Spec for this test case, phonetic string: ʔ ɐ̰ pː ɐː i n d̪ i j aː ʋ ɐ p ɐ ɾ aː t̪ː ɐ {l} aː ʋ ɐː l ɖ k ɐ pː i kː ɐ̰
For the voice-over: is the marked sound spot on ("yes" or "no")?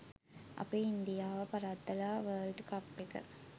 yes